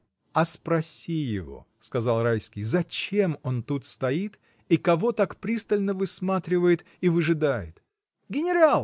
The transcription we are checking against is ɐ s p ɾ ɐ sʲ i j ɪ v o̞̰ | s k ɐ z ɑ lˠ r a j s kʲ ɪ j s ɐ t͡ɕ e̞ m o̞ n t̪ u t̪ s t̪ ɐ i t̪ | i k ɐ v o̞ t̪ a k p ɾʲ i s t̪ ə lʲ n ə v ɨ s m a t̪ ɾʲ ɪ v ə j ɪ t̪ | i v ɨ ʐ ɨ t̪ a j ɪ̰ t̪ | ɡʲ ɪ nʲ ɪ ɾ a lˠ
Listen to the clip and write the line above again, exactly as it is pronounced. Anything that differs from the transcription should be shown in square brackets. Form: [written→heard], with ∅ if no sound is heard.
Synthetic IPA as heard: ɐ s p ɾ ɐ sʲ i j ɪ v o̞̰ | s k ɐ z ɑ lˠ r a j s kʲ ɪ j [s→z] ɐ t͡ɕ e̞ m o̞ n t̪ u t̪ s t̪ ɐ i t̪ | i k ɐ v o̞ t̪ a k p ɾʲ i s t̪ ə lʲ n ə v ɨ s m a t̪ ɾʲ ɪ v ə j ɪ t̪ | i v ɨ ʐ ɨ [t̪→d̪] a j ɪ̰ t̪ | ɡʲ ɪ nʲ ɪ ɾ a lˠ

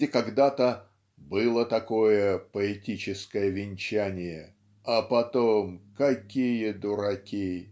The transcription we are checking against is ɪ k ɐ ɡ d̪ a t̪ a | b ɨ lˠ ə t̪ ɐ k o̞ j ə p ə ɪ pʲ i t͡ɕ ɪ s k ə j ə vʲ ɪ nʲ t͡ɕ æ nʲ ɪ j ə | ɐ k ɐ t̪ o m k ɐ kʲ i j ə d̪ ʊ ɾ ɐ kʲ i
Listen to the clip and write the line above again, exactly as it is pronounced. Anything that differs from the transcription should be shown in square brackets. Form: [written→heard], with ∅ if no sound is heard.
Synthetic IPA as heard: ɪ k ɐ ɡ d̪ a t̪ [a→ə] | b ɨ lˠ ə t̪ ɐ k o̞ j ə p ə ɪ [pʲ→tʲ] i t͡ɕ ɪ s k ə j ə vʲ ɪ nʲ t͡ɕ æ nʲ ɪ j ə | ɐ [k→p] ɐ t̪ o m k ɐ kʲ i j ə d̪ ʊ ɾ ɐ kʲ i

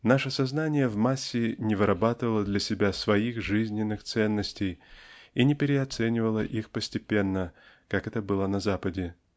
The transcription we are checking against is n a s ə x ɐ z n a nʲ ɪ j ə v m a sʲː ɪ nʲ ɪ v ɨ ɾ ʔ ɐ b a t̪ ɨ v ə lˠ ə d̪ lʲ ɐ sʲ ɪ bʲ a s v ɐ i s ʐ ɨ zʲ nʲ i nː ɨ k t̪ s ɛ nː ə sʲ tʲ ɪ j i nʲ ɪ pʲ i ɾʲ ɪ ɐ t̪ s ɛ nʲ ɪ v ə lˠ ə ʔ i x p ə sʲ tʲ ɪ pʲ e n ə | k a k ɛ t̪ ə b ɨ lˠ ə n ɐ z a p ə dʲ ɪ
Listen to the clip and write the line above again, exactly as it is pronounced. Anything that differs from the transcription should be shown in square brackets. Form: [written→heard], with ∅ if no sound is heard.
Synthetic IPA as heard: n a [s→ʂ] ə [x→s] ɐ z n a nʲ ɪ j ə v m a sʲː ɪ nʲ ɪ v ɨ ɾ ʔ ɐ b a t̪ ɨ v ə lˠ ə d̪ lʲ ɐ sʲ ɪ bʲ a s v ɐ i [s→x] ʐ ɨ zʲ nʲ [i→ɪ] nː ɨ [k→x] t̪ s ɛ nː ə sʲ tʲ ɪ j i nʲ ɪ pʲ [i→ɪ] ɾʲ ɪ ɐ t̪ s ɛ nʲ ɪ v ə lˠ ə ʔ i x p ə sʲ tʲ ɪ pʲ e [n→nː] ə | k a k ɛ t̪ ə b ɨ lˠ ə n ɐ z a p ə dʲ ɪ

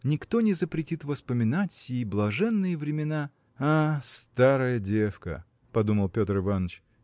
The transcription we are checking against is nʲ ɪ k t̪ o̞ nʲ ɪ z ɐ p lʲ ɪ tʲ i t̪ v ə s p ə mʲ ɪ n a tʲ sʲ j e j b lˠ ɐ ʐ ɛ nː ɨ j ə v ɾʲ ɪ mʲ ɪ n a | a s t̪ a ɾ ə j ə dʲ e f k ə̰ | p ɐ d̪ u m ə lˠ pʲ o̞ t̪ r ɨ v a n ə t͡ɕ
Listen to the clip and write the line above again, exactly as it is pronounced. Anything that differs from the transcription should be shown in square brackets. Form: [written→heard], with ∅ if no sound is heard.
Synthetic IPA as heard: nʲ ɪ k t̪ o̞ nʲ ɪ z [ɐ→ə] p [lʲ→ɾʲ] ɪ tʲ i t̪ v ə s p ə mʲ ɪ n a tʲ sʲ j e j b lˠ ɐ ʐ ɛ nː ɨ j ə v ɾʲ ɪ mʲ ɪ n a | a s t̪ a ɾ ə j ə dʲ e f k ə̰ | p ɐ d̪ u m ə lˠ pʲ o̞ t̪ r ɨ v a n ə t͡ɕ

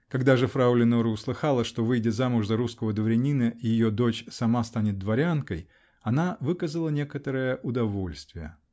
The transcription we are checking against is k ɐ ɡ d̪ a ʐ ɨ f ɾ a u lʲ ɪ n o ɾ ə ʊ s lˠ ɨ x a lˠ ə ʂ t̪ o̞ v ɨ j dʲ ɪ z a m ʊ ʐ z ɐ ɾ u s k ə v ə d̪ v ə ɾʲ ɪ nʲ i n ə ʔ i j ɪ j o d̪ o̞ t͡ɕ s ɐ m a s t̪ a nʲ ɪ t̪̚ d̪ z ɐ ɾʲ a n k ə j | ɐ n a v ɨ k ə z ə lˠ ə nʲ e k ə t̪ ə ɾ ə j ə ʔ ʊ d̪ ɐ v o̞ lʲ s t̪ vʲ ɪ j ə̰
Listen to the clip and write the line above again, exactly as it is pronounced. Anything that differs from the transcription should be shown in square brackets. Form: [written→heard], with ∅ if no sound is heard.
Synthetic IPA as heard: k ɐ ɡ d̪ a ʐ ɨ f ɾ a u lʲ ɪ n o ɾ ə ʊ s lˠ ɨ x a lˠ ə ʂ t̪ o̞ v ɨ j dʲ ɪ z a m ʊ ʐ z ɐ ɾ u s k ə v ə d̪ v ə ɾʲ ɪ nʲ i n ə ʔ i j ɪ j o d̪ o̞ t͡ɕ s ɐ m a s t̪ a nʲ ɪ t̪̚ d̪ [z→v] ɐ ɾʲ a n k ə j | ɐ n a v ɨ k ə z ə lˠ ə nʲ e k ə t̪ ə ɾ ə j ə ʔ ʊ d̪ ɐ v o̞ lʲ s t̪ vʲ ɪ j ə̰

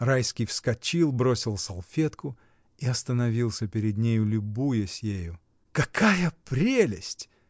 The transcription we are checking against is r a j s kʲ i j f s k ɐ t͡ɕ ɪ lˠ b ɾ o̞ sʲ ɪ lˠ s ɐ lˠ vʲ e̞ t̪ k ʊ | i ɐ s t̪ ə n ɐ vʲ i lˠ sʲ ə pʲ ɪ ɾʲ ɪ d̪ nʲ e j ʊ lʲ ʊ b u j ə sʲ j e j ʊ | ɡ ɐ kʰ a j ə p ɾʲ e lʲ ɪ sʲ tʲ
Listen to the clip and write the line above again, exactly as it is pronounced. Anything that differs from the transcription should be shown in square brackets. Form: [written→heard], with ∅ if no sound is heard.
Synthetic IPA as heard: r a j s kʲ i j f s k ɐ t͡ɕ [ɪ→i] lˠ b ɾ o̞ sʲ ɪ lˠ s ɐ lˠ [vʲ→fʲ] e̞ t̪ k ʊ | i ɐ s t̪ ə n ɐ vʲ i lˠ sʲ ə pʲ ɪ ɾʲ ɪ d̪ nʲ e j ʊ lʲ ʊ b u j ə sʲ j e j ʊ | [ɡ→k] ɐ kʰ a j ə p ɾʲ e lʲ ɪ sʲ tʲ

